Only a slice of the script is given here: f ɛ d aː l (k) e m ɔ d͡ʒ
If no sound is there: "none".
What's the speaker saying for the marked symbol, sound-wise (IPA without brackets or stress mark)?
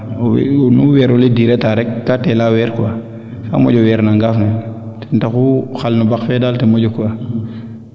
t